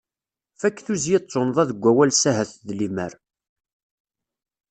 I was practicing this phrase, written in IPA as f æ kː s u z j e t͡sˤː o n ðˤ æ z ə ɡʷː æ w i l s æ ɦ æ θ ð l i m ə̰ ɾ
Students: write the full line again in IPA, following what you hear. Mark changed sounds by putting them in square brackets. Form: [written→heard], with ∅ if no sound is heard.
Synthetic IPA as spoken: f æ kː [s→θ] u z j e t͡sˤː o n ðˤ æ [z→ð] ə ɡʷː æ w [i→æ] l s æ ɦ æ θ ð l i m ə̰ ɾ